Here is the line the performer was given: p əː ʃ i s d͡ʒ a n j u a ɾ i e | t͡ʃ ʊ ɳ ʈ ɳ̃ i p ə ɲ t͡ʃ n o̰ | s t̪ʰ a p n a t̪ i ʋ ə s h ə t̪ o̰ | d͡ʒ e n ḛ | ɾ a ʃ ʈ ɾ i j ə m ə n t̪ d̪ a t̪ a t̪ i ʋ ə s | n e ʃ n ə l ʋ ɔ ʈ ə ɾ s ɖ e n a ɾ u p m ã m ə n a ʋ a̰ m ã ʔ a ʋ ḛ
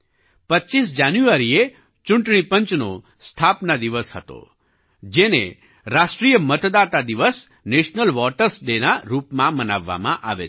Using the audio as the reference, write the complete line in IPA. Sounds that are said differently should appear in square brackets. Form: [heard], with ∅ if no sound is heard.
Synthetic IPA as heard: p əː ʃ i s d͡ʒ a n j u a ɾ i e | t͡ʃ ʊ ɳ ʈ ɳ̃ i p ə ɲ t͡ʃ n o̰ | s t̪ʰ a p n a [d̪] i ʋ ə s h ə t̪ o̰ | d͡ʒ e n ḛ | ɾ a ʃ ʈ ɾ i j ə m ə [∅] t̪ d̪ a t̪ a [d̪] i ʋ ə s | n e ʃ n ə l ʋ ɔ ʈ ə ɾ s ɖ e n a ɾ u p m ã m ə n a [ʋː] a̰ m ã ʔ a ʋ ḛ

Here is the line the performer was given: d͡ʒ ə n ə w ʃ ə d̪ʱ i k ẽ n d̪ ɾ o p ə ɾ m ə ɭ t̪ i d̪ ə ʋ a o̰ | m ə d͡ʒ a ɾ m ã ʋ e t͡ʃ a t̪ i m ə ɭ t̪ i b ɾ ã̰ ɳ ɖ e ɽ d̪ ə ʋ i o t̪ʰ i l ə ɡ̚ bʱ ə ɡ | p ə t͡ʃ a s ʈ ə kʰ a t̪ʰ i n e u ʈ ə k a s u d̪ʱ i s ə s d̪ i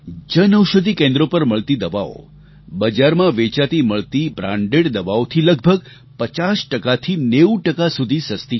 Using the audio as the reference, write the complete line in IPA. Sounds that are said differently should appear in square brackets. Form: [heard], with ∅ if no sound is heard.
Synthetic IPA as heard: d͡ʒ ə n ə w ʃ ə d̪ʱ i k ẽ n d̪ ɾ o p ə ɾ m ə ɭ t̪ i d̪ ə ʋ a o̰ | [b] ə d͡ʒ a ɾ m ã ʋ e t͡ʃ a t̪ i m ə ɭ t̪ i b ɾ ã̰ ɳ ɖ e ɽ d̪ ə ʋ [a] o t̪ʰ i l ə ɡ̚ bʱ ə ɡ | p ə t͡ʃ a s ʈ ə [k] a t̪ʰ i n e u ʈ ə k a s u d̪ʱ i s ə s [t̪] i

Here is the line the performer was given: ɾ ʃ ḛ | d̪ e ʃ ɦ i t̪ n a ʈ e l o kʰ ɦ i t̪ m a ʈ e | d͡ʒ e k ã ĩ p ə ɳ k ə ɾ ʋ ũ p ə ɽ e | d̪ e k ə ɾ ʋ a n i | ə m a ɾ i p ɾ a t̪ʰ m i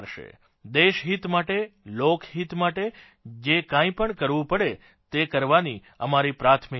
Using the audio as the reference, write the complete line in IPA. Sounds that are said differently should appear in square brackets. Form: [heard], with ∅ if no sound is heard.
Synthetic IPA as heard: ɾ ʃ ḛ | d̪ e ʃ ɦ i t̪ [m] a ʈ e l o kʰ ɦ i t̪ m a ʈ e | d͡ʒ e k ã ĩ p ə ɳ k ə ɾ ʋ ũ p ə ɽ e | [t̪] e k ə ɾ ʋ a n i | ə m a ɾ i p ɾ a t̪ʰ m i

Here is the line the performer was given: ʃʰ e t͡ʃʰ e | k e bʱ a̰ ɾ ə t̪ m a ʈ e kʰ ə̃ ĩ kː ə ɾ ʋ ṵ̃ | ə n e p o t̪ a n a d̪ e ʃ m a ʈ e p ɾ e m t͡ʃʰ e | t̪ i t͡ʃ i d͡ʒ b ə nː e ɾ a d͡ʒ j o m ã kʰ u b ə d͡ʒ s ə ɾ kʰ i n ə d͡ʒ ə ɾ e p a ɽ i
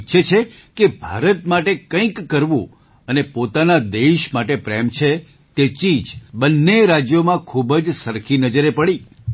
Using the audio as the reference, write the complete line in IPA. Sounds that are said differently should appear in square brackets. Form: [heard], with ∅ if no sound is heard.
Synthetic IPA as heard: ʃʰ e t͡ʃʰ e | k e bʱ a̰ ɾ ə t̪ m a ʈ e [k] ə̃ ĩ kː ə ɾ ʋ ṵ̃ | ə n e p o t̪ a n a d̪ e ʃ m a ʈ e p ɾ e m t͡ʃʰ e | t̪ [e] t͡ʃ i d͡ʒ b ə nː e ɾ a d͡ʒ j o m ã kʰ u b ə d͡ʒ s ə ɾ kʰ i n ə d͡ʒ ə ɾ e p [ə] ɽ i

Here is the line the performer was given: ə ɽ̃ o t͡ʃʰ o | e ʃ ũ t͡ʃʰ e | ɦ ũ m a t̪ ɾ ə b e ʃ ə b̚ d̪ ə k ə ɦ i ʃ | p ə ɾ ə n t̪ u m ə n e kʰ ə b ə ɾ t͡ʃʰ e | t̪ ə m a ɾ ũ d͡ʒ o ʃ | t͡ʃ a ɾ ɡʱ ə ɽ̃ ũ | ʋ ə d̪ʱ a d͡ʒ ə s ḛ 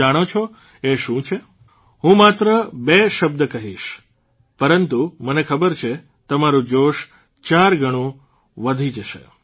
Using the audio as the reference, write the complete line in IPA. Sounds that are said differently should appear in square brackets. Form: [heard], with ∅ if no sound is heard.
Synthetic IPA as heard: [a] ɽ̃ o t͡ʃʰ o | e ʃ ũ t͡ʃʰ e | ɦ ũ m a t̪ ɾ ə b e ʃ ə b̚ d̪ ə k ə ɦ i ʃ | p ə ɾ ə n t̪ u m ə n e kʰ ə b ə ɾ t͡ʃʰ e | t̪ ə m a ɾ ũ d͡ʒ o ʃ | t͡ʃ a ɾ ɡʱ ə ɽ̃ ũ | ʋ ə d̪ʱ [i] d͡ʒ ə [ʃ] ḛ

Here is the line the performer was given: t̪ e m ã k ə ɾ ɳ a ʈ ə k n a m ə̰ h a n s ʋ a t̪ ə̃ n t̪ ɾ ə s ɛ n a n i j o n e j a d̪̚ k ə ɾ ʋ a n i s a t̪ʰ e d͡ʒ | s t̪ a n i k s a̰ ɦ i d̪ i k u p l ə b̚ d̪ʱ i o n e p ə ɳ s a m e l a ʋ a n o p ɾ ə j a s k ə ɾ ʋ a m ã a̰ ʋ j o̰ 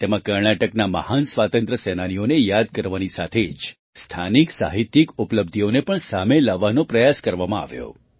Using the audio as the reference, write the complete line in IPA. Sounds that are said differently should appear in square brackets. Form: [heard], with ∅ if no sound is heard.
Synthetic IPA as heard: t̪ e m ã k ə ɾ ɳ a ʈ ə k n a m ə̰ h a n s ʋ a t̪ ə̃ n t̪ ɾ ə s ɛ n a n i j o n e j a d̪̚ k ə ɾ ʋ a n i s a t̪ʰ e d͡ʒ | s [t̪ʰ] a n i k s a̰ ɦ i [t̪] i k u p l ə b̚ d̪ʱ i o n e p ə ɳ s a m e l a ʋ a n o p ɾ ə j a s k ə ɾ ʋ a m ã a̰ ʋ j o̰

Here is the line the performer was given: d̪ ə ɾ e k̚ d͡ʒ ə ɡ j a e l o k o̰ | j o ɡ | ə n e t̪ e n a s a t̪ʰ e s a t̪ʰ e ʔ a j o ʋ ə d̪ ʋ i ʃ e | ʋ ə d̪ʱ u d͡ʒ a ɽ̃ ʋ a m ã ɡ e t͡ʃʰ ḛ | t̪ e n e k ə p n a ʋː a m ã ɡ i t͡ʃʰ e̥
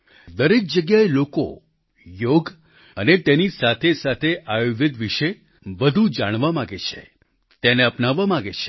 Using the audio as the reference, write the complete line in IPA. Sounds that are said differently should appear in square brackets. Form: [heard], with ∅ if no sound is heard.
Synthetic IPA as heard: d̪ ə ɾ e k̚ d͡ʒ ə ɡ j a e l o k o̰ | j o ɡ | ə n e t̪ e n [i] s a t̪ʰ e s a t̪ʰ e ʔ a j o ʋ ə d̪ ʋ i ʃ e | ʋ ə d̪ʱ u d͡ʒ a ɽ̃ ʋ a m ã ɡ e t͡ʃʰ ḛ | t̪ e n e [∅] ə p n a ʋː a m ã ɡ [e] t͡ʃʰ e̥

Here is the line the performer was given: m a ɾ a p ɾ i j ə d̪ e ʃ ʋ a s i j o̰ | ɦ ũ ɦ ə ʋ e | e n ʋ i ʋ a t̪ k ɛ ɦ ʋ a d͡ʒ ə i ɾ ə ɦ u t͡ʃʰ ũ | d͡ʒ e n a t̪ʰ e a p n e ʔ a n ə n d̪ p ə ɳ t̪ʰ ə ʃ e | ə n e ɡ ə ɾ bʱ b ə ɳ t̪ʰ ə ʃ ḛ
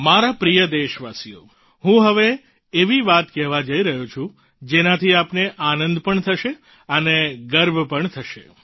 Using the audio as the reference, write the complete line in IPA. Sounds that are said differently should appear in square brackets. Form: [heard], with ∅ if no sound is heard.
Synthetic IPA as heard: m a ɾ a p ɾ i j ə d̪ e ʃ ʋ a s i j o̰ | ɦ ũ ɦ ə ʋ e | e [∅] ʋ i ʋ a t̪ k ɛ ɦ ʋ a d͡ʒ ə i ɾ ə ɦ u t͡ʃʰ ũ | d͡ʒ e n a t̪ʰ [i] a p n e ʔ a n ə n d̪ p ə ɳ t̪ʰ ə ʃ e | ə n e ɡ ə ɾ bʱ [p] ə ɳ t̪ʰ ə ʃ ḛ

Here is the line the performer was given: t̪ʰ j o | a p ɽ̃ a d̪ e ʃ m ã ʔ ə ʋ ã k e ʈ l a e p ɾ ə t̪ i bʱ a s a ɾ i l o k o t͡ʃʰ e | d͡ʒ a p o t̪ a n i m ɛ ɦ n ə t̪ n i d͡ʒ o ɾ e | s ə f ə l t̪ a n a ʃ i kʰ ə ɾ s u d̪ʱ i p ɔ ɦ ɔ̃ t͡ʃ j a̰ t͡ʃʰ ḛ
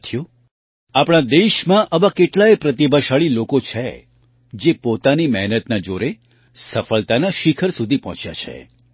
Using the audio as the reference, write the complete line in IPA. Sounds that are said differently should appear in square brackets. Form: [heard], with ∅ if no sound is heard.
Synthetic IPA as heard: t̪ʰ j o | a p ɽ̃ a d̪ e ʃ m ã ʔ ə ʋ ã k e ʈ l a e p ɾ ə t̪ i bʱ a [ʃ] a [ɭ] i l o k o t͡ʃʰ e | d͡ʒ [e] p o t̪ a n i m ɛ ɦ n ə t̪ n [a] d͡ʒ o ɾ e | s ə f ə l t̪ a n a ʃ i kʰ ə ɾ s u d̪ʱ i p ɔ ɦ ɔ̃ t͡ʃ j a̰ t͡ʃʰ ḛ

